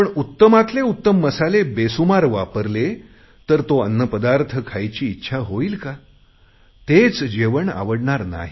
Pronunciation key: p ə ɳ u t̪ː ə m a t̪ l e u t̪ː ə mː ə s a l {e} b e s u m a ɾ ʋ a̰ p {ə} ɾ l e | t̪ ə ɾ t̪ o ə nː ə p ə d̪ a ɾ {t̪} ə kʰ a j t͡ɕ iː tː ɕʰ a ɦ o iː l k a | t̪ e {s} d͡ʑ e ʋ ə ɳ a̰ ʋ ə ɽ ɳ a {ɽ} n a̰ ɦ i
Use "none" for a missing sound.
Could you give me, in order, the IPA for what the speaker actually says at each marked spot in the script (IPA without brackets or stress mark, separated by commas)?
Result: e, ə, t̪ʰ, t͡s, ɾ